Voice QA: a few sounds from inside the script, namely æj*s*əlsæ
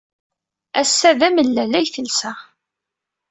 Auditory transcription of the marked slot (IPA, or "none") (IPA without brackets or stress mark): θ